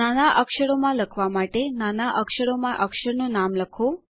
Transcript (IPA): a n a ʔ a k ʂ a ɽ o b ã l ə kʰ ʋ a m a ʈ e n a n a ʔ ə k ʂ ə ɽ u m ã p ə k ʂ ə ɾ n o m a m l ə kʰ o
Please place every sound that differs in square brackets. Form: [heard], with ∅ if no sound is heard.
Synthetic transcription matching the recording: a n a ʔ [ə] k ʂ [ə] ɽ o [m] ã l ə kʰ ʋ a m a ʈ e n a n a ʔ ə k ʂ ə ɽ [o] m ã [ʔ] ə k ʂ ə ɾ n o [n] a m l ə kʰ o